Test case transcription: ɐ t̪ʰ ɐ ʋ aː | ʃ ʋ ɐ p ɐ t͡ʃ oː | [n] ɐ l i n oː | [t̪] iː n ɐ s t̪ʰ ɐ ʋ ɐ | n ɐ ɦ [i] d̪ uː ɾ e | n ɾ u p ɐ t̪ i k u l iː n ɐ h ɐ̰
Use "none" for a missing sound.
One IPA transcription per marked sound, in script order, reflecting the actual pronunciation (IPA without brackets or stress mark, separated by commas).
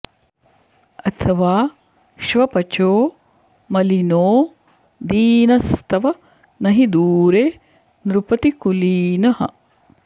m, d̪, i